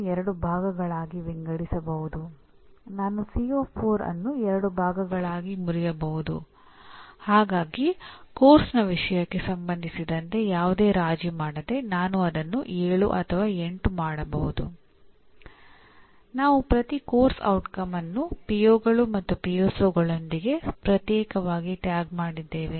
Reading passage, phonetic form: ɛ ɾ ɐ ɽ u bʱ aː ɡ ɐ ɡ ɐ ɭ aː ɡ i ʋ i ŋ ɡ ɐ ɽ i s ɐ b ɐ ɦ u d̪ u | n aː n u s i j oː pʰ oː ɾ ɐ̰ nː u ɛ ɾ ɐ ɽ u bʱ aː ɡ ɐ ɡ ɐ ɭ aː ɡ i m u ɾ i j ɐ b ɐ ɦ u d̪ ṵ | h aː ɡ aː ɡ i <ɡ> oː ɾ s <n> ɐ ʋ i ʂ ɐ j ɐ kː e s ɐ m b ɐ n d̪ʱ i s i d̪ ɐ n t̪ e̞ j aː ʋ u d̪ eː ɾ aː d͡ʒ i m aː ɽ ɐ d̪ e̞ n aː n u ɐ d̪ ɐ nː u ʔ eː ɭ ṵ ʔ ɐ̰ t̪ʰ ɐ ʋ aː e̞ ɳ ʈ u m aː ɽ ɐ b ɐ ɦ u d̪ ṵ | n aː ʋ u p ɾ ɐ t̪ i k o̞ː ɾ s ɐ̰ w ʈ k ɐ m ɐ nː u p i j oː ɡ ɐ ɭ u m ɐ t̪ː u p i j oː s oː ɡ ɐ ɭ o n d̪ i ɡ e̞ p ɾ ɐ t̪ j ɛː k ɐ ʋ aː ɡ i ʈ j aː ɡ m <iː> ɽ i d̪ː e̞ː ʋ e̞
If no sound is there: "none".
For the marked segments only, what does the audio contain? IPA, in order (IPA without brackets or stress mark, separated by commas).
k, n, aː